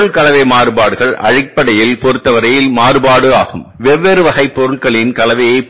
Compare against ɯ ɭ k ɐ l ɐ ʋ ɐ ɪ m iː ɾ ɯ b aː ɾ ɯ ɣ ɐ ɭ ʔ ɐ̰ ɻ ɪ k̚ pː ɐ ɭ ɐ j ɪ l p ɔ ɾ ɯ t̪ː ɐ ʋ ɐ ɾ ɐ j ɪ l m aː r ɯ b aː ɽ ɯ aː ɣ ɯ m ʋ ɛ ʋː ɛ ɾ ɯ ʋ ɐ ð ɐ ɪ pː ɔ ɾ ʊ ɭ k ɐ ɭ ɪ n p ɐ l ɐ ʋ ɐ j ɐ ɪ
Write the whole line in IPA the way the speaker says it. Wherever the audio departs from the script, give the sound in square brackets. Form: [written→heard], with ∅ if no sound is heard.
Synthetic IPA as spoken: ɯ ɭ k ɐ l ɐ ʋ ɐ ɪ m [iː→aː] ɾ ɯ b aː [ɾ→ɽ] ɯ ɣ ɐ ɭ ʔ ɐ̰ ɻ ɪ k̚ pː ɐ [ɭ→ɽ] ɐ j ɪ l p ɔ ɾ ɯ t̪ː ɐ ʋ ɐ ɾ ɐ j ɪ l m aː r ɯ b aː ɽ ɯ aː ɣ ɯ m ʋ ɛ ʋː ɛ ɾ ɯ ʋ ɐ [ð→ɣ] ɐ ɪ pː ɔ ɾ [ʊ→ɯ] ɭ k ɐ ɭ ɪ n [p→k] ɐ l ɐ ʋ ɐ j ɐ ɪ